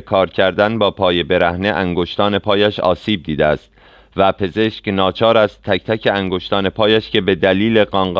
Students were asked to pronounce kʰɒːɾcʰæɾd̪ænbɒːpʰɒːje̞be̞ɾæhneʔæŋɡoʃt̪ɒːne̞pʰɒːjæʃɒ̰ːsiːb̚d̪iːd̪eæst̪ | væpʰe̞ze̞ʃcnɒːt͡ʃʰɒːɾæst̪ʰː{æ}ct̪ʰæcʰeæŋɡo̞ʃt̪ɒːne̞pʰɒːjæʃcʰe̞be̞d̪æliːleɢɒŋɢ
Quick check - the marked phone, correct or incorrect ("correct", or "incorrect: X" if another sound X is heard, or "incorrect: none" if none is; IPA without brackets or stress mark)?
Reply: correct